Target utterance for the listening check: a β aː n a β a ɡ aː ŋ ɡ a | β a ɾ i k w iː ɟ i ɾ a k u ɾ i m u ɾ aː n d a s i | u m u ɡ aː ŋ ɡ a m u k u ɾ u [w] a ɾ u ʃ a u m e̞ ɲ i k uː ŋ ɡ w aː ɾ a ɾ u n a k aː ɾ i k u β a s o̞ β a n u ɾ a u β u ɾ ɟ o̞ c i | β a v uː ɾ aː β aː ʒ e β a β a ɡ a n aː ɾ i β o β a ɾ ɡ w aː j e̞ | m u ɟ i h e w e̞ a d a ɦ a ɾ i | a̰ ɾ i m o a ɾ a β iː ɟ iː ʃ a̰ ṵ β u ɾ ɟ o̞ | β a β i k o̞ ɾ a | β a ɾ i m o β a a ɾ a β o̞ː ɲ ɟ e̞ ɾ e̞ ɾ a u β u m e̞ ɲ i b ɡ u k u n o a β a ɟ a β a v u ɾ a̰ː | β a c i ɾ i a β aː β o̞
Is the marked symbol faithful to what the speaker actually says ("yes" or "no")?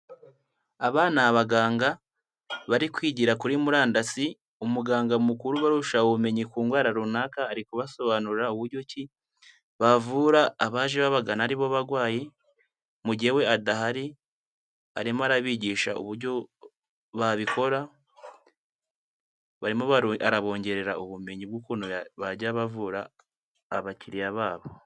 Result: no